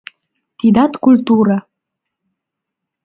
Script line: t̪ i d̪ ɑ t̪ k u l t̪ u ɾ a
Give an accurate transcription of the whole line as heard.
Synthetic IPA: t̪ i d̪ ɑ t̪ k u l t̪ u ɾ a